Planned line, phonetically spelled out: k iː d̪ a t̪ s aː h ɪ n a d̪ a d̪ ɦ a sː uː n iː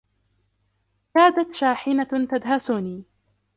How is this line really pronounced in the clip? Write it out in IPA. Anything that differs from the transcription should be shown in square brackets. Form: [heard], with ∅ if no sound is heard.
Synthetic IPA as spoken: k [aː] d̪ a t̪ [ʃ] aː [ħ] ɪ n a [t̪] a d̪ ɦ a [s] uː n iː